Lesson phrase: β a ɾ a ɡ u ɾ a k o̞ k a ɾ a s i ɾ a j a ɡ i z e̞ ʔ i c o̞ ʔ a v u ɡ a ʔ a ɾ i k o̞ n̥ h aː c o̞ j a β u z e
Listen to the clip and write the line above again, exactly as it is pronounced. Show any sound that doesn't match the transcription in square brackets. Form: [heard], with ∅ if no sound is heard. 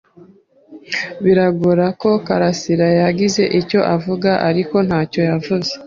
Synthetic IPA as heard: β [i] ɾ a ɡ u ɾ a k o̞ k a ɾ a s i ɾ a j a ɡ i z e̞ ʔ i c o̞ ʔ a v u ɡ a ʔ a ɾ i k o̞ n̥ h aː c o̞ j a [v] u z e